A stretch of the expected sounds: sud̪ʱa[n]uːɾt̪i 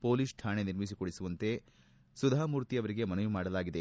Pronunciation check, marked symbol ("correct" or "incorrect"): incorrect